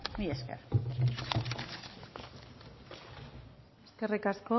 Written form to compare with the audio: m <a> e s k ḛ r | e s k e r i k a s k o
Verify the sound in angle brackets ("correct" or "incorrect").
incorrect